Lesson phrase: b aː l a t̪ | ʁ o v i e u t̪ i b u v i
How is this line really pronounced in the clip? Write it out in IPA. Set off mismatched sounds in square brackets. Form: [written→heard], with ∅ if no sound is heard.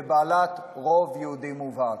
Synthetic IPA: b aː l a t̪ | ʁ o v [i→j] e u [t̪→d̪] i [b→m] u v [i→a]